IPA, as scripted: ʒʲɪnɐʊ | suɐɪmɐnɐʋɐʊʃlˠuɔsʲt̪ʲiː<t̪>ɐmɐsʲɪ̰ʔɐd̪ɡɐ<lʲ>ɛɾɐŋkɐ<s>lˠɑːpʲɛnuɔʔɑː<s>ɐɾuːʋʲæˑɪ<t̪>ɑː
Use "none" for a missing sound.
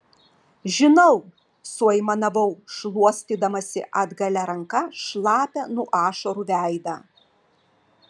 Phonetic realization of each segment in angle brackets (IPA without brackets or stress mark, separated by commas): d̪, lʲ, ʃ, ʃ, d̪